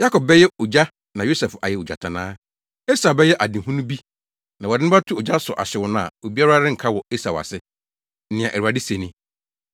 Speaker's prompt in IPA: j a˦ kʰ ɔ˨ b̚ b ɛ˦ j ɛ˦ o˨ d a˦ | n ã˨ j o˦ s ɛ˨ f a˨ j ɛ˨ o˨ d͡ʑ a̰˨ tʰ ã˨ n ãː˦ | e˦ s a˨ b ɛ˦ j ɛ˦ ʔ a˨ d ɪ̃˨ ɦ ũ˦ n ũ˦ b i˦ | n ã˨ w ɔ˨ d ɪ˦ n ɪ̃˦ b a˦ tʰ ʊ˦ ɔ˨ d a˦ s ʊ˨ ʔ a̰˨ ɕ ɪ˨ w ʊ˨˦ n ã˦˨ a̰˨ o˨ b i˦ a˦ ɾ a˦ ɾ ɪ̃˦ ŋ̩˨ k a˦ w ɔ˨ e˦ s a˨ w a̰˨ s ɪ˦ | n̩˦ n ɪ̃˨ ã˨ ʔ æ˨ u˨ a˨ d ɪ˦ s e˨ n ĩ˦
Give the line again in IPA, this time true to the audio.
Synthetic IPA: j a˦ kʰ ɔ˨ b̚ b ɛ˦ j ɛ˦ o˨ d͡ʑ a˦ | n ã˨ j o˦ s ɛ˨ f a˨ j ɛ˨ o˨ d͡ʑ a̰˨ tʰ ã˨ n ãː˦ | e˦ s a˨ b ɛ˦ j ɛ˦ ʔ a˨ d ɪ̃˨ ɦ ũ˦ n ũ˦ b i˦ | n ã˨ w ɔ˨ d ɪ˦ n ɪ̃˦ b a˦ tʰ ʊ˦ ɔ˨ d͡ʑ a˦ s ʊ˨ ʔ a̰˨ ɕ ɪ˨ w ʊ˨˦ n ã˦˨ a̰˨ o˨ b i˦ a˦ ɾ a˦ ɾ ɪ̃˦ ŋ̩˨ kʰ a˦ w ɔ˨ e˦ s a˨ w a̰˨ s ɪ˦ | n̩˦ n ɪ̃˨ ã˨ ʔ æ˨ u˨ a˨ d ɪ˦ s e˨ n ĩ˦